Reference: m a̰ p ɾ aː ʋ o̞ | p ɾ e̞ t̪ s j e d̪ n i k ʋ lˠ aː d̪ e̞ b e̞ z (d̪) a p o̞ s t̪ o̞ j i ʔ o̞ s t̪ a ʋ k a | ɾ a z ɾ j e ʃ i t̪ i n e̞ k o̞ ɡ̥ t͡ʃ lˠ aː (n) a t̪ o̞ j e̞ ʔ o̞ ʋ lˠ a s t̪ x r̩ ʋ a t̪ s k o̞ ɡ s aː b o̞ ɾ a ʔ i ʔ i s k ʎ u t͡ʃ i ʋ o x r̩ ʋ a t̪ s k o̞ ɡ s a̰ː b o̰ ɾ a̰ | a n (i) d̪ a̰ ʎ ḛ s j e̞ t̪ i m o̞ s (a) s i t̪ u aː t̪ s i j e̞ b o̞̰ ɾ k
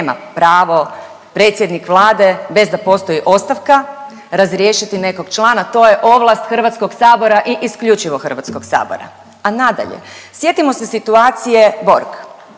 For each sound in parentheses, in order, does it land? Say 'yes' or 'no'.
yes, yes, no, no

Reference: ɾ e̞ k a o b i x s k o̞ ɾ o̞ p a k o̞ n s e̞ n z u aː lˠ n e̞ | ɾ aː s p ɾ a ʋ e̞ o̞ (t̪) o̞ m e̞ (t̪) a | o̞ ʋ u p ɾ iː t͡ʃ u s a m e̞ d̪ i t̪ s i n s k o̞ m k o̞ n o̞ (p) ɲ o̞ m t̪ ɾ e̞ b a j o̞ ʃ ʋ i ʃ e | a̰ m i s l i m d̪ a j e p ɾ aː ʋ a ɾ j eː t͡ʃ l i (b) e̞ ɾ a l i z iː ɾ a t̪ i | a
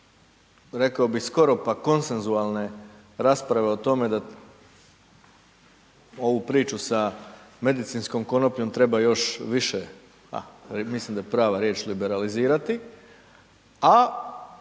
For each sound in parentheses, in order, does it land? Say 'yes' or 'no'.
yes, no, yes, yes

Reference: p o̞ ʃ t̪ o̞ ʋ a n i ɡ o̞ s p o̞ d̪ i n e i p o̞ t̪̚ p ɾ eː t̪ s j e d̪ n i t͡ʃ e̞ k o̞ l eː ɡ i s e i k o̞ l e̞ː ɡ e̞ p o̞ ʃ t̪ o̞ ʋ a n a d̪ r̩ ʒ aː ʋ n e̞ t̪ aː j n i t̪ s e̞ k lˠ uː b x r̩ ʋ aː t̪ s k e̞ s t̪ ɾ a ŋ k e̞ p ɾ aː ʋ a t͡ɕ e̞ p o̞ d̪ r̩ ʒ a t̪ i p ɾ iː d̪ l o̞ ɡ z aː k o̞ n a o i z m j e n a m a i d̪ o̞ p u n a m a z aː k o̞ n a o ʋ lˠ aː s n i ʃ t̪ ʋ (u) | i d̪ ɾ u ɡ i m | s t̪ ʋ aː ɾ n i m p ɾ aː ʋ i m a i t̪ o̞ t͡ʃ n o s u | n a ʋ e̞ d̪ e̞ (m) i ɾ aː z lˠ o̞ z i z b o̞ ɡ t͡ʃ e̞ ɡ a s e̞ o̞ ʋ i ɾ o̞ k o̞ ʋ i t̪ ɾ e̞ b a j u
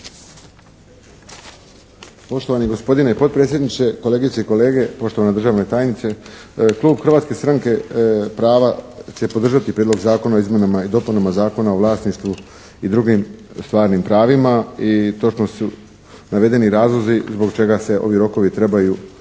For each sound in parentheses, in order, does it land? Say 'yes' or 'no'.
yes, no

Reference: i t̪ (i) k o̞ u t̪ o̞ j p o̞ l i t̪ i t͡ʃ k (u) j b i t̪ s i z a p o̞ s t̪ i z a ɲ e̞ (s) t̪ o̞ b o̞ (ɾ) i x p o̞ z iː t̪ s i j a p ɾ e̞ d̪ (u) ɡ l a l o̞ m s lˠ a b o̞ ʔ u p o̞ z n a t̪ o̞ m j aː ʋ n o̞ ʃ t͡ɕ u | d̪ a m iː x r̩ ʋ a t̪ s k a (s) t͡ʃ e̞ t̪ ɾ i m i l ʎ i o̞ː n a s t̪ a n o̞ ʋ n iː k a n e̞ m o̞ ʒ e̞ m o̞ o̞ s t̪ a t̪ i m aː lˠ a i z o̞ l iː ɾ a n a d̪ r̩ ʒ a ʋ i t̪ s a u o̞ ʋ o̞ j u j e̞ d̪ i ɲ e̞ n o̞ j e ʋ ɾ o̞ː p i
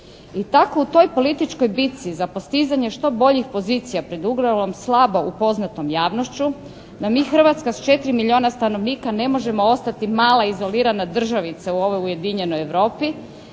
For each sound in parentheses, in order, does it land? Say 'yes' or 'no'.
no, no, no, no, yes, yes

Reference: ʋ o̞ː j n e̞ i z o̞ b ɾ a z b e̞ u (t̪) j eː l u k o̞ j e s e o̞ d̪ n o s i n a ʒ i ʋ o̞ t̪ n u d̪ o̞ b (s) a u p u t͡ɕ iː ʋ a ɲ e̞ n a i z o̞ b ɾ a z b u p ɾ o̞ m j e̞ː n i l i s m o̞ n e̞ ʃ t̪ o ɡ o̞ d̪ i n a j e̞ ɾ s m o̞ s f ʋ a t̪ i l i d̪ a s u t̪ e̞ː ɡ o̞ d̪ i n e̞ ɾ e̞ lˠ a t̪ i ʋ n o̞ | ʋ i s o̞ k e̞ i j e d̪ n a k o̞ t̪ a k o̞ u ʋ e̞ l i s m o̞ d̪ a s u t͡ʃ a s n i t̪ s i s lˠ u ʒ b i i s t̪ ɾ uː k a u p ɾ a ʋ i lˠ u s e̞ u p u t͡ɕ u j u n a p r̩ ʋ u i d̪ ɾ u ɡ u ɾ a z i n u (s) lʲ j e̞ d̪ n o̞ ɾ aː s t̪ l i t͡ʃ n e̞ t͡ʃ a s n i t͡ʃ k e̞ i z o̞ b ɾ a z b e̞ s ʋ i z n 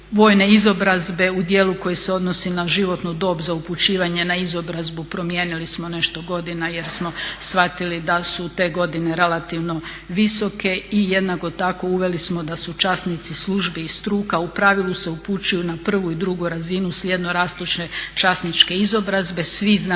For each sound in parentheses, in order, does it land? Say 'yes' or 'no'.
no, no, yes

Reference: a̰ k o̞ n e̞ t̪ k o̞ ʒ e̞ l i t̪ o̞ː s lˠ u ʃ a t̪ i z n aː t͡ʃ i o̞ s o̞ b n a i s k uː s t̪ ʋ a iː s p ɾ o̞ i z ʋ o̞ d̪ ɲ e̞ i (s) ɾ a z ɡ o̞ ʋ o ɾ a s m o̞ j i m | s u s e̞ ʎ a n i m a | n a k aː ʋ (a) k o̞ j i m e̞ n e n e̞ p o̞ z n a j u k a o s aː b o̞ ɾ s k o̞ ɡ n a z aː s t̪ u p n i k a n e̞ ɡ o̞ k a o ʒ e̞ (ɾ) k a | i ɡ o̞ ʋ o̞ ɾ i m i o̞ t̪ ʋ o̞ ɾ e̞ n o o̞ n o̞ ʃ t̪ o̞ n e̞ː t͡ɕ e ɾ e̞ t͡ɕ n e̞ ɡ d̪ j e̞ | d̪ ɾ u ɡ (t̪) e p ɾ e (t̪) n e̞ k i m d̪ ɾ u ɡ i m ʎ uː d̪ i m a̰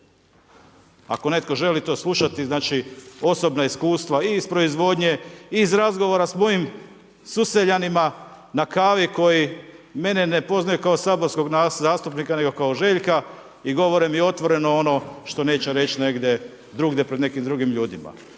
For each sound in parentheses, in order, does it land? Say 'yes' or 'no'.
no, no, no, no, no

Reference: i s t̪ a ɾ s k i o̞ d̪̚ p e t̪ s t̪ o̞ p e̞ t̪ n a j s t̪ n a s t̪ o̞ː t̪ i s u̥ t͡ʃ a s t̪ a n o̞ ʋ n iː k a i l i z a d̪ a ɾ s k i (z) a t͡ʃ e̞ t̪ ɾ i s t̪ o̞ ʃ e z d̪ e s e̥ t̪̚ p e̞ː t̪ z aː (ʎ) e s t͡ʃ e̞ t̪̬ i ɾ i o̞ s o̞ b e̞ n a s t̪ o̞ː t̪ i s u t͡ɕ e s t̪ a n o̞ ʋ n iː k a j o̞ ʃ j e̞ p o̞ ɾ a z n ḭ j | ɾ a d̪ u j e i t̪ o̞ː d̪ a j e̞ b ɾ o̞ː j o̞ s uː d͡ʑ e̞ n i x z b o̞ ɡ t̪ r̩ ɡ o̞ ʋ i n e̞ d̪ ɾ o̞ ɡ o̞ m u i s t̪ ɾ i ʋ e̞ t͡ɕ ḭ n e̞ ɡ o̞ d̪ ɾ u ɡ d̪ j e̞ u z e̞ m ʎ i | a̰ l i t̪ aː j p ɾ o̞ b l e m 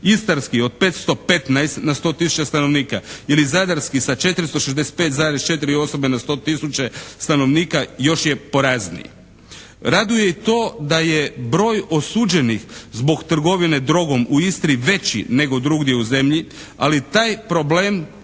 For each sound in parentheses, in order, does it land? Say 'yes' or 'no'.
no, no

